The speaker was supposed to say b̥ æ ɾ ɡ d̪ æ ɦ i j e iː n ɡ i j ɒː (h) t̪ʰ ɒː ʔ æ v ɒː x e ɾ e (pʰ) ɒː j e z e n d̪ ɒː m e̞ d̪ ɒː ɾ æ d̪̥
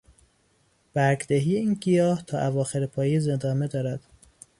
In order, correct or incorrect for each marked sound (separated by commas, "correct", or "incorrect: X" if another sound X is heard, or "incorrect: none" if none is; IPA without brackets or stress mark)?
correct, correct